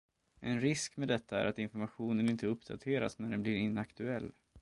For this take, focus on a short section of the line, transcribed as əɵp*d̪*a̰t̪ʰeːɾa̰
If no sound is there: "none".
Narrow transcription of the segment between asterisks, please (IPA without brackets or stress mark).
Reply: d̪